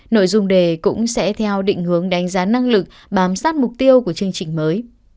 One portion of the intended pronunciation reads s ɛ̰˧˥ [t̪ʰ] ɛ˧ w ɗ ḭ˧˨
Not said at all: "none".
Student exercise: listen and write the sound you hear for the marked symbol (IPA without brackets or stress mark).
t̪ʰ